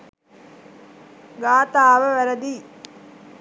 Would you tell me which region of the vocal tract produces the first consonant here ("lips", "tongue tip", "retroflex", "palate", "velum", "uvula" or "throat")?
velum